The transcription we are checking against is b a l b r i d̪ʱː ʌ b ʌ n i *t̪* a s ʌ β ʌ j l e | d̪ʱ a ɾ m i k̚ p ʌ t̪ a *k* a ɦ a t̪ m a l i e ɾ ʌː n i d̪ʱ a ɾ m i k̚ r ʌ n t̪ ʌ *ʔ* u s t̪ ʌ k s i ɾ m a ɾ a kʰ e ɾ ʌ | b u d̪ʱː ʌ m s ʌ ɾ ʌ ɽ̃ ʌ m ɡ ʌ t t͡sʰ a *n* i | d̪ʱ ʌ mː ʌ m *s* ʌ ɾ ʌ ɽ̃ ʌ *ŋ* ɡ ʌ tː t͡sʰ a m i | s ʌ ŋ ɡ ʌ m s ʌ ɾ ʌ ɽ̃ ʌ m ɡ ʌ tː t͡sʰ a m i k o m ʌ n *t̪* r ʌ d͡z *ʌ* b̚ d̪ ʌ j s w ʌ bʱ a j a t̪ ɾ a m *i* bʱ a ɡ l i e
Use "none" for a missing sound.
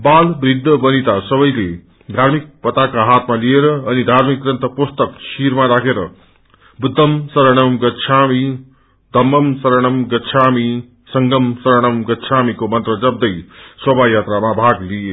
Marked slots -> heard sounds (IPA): t̪, k, p, m, s, m, t̪, ʌ, a

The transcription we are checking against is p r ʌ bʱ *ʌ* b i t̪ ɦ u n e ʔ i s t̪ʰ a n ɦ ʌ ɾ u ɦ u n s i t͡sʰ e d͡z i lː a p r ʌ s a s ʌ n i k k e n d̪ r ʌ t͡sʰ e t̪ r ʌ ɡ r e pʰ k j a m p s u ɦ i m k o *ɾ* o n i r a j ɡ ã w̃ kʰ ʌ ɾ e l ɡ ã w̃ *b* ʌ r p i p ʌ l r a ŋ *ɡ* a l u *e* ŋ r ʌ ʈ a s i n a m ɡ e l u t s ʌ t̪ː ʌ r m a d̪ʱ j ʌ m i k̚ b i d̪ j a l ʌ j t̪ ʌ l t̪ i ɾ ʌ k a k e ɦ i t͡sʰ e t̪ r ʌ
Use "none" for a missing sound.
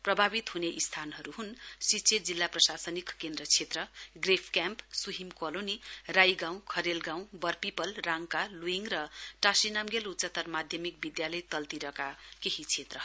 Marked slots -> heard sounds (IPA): a, l, b, k, i

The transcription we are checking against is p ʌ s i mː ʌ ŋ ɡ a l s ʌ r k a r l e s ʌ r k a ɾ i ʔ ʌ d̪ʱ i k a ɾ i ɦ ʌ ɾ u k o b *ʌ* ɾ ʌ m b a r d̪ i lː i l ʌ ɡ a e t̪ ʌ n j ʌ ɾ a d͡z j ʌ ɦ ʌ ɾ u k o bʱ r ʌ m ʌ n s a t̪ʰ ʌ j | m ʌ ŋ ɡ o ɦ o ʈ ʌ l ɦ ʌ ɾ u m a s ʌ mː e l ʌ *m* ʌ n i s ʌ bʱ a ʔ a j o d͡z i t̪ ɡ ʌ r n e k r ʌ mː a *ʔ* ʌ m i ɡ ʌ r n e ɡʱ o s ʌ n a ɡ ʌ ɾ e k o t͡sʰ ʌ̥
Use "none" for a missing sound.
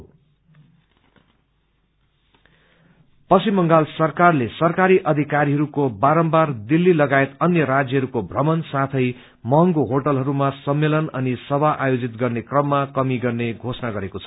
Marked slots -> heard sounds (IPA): a, n, k

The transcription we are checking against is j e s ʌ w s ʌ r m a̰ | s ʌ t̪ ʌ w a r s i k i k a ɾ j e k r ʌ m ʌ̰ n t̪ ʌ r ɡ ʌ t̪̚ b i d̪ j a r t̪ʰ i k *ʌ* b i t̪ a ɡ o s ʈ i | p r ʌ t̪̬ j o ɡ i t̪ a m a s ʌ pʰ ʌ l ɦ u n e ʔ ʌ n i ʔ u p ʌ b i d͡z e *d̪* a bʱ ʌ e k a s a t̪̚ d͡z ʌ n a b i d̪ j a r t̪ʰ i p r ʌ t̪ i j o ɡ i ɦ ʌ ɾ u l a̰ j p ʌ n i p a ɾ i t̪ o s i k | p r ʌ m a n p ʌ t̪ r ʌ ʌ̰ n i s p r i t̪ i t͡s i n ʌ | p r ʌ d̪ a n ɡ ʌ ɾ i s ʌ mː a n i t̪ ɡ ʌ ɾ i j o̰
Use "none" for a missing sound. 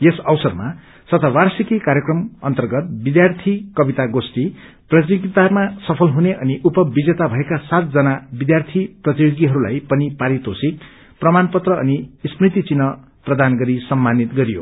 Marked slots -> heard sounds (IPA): ʌ, t̪

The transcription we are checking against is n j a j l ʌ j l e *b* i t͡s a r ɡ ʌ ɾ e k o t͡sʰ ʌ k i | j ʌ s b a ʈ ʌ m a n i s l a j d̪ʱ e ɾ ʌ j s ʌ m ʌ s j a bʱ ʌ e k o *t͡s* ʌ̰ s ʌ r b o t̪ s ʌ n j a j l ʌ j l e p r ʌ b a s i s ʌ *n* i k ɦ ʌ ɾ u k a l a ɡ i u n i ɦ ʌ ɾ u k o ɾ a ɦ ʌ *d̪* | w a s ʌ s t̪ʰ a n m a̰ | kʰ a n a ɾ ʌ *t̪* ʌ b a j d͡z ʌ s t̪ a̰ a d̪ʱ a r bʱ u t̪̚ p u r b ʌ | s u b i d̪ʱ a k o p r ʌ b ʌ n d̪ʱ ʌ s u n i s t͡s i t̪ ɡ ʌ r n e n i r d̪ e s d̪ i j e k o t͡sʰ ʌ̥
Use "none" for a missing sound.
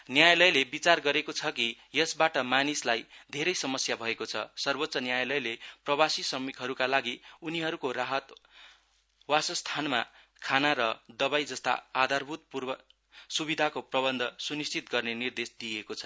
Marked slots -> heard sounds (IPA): b, t͡sʰ, m, t̪, d̪

